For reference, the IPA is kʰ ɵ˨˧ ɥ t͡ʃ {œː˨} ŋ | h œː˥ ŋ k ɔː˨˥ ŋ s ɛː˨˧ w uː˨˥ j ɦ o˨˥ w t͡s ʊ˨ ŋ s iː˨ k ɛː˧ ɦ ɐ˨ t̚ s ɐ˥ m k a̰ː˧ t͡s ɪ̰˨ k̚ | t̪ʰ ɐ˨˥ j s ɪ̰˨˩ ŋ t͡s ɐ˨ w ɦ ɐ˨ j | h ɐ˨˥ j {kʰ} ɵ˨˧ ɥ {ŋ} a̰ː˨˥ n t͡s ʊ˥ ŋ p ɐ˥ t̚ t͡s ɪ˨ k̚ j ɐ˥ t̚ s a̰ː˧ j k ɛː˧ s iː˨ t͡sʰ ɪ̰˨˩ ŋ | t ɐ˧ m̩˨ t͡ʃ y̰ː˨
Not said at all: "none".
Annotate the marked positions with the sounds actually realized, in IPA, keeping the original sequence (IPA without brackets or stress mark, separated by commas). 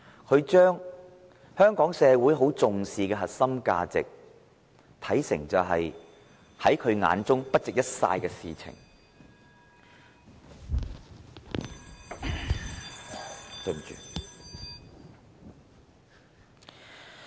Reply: œː˥, kʰ, ŋ